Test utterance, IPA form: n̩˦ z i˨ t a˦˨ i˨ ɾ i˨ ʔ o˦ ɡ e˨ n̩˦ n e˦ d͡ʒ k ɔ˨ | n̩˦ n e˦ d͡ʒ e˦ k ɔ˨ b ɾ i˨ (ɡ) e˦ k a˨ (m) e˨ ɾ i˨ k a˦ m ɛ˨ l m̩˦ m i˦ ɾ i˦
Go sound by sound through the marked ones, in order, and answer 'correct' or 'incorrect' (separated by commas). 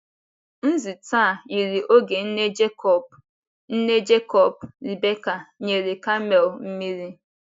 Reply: incorrect, incorrect